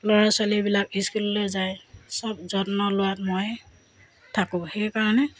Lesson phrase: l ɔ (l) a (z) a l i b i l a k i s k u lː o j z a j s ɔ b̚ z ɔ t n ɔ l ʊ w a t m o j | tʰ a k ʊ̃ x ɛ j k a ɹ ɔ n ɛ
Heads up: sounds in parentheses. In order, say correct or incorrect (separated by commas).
incorrect, incorrect